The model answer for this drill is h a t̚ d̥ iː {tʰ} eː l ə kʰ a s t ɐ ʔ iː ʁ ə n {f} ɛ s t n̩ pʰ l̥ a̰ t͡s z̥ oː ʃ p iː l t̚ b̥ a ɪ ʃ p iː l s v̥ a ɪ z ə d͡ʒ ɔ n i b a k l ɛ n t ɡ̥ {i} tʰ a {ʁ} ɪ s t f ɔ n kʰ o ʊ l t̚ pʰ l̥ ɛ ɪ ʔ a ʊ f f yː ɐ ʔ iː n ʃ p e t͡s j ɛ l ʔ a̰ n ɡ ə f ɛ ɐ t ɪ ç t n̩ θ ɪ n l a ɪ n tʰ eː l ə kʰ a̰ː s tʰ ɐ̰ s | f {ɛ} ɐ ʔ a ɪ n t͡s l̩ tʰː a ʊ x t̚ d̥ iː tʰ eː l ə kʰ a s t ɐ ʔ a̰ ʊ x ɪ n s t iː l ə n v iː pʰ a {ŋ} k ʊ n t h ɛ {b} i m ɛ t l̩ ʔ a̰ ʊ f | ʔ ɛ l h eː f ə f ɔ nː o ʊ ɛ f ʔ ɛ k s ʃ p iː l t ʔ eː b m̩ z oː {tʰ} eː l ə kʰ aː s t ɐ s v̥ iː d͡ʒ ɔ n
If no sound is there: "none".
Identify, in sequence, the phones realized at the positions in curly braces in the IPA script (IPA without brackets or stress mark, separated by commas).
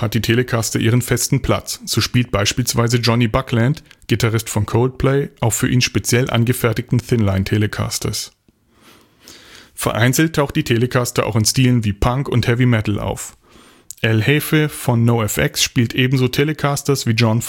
tʰ, f, i, ʁ, ɛ, ŋ, v, tʰ